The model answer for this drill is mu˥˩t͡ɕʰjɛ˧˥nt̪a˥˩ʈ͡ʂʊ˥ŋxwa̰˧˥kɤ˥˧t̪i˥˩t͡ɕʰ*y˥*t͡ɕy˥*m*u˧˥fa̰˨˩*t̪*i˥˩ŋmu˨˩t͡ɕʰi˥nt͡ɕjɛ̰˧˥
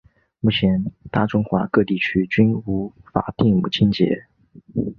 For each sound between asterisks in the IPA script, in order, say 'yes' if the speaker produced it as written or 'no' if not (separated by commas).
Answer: yes, no, yes